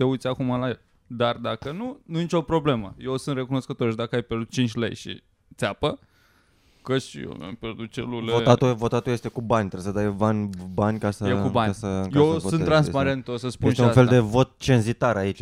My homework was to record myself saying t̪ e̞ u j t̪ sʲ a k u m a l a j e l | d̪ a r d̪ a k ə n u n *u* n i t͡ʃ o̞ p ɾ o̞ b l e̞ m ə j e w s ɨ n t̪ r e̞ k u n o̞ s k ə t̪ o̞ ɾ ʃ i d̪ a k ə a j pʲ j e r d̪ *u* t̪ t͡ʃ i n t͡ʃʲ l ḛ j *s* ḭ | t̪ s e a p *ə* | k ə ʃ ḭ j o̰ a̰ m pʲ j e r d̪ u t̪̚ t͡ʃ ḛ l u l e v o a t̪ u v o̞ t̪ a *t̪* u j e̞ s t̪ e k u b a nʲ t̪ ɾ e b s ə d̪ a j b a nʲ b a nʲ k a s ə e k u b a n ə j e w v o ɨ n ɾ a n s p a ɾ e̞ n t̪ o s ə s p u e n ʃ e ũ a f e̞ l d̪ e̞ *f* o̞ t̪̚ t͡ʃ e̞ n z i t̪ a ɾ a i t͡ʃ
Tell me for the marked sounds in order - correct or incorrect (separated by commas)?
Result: correct, correct, incorrect, correct, correct, incorrect